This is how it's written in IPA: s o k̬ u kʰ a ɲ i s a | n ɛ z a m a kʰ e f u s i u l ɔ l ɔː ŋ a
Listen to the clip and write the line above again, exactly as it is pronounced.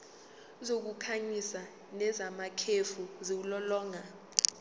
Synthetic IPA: z o k̬ u kʰ a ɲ i s a | n ɛ z a m a kʰ e f u z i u l ɔ l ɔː ŋ a